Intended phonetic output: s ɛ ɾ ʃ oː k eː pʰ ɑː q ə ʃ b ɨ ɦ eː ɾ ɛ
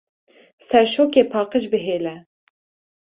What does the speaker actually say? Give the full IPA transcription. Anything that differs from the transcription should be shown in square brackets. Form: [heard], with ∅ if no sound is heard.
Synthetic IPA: s ɛ ɾ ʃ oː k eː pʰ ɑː q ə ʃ b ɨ ɦ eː [l] ɛ